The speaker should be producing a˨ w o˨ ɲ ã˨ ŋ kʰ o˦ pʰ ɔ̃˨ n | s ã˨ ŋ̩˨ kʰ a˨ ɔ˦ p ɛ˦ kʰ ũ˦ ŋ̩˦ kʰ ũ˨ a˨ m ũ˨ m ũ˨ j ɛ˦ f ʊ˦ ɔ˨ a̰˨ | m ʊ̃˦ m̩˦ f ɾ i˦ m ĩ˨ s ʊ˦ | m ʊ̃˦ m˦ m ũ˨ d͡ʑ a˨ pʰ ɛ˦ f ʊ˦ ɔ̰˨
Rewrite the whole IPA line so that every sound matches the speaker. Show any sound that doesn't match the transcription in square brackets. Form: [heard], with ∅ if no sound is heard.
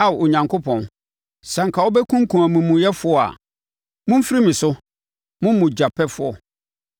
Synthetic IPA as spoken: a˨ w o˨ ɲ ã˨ ŋ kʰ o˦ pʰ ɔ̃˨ n | s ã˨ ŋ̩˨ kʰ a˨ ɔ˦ [b] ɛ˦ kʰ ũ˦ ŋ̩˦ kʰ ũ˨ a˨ m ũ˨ m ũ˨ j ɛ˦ f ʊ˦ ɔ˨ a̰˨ | m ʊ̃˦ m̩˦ f ɾ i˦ m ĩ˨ s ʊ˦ | m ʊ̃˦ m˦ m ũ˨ d͡ʑ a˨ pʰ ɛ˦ f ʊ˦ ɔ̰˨

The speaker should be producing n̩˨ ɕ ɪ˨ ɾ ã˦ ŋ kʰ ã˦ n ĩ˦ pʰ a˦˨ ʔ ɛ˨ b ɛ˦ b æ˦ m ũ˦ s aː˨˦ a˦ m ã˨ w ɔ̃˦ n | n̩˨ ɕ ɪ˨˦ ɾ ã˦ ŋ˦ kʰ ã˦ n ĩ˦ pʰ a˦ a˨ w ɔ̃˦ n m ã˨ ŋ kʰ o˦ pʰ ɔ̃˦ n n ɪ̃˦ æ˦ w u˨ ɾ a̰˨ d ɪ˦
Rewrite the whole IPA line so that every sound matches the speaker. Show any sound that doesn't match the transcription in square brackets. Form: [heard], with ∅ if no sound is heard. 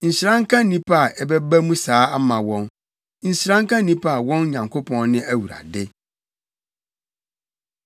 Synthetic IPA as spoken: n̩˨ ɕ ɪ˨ ɾ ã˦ ŋ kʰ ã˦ n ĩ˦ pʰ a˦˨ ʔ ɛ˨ b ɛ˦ b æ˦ m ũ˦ s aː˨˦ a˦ m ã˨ w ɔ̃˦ n | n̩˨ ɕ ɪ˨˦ ɾ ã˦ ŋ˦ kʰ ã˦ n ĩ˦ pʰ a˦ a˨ w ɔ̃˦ n [ɲ] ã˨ ŋ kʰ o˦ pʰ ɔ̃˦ n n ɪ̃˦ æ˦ w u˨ ɾ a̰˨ d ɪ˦

